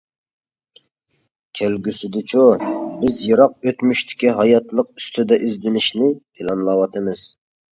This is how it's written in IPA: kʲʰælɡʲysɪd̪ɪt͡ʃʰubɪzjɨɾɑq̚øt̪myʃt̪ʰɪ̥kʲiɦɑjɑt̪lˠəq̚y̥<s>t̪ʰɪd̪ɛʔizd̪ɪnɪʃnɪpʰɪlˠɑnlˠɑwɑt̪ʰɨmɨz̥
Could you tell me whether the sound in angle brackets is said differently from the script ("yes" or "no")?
no